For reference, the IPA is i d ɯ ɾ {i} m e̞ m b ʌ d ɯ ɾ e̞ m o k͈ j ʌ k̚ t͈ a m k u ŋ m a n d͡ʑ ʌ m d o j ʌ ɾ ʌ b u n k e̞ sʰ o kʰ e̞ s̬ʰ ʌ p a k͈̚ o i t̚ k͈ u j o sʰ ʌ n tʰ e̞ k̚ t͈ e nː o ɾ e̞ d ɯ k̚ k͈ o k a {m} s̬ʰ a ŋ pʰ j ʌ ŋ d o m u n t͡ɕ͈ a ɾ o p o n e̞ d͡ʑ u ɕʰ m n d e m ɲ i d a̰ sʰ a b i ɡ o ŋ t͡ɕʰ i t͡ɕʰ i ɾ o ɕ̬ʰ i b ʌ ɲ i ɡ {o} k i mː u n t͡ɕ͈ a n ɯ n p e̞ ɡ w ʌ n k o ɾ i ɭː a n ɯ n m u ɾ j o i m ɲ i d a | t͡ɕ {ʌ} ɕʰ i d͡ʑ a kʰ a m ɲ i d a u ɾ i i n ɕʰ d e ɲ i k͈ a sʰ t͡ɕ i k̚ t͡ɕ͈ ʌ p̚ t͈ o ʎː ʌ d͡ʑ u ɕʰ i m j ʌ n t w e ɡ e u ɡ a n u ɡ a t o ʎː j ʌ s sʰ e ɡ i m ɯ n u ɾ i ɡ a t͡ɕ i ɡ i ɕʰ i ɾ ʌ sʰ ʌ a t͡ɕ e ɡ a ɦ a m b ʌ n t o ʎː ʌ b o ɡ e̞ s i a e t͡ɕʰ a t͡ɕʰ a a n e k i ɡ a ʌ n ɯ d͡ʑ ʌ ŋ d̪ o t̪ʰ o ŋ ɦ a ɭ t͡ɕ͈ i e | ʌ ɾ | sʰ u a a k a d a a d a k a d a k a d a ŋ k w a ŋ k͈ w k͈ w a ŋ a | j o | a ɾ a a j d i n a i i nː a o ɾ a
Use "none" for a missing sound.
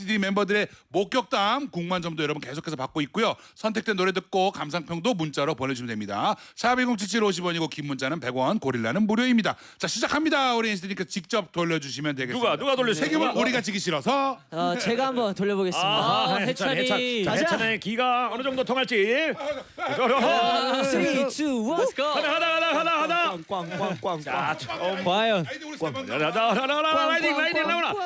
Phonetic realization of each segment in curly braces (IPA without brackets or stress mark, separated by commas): i, m, o, a